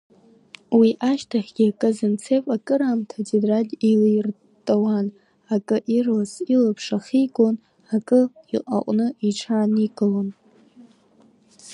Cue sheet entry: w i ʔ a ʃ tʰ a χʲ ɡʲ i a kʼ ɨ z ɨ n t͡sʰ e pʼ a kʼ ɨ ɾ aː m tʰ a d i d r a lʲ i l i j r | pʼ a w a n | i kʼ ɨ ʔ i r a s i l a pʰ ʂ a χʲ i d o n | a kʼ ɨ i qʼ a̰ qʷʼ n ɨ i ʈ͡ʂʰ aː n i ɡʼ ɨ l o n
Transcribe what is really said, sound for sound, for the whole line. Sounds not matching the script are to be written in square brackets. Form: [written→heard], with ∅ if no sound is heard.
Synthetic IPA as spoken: w i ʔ a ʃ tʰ a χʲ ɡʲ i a kʼ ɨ z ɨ n t͡sʰ e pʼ a kʼ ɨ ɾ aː m tʰ a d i d r a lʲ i l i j r | [pʼ→tʼ] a w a n | [i→a] kʼ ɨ ʔ i r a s i l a pʰ ʂ a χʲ i [d→ɡ] o n | a kʼ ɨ i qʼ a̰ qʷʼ n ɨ i ʈ͡ʂʰ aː n i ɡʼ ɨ l o n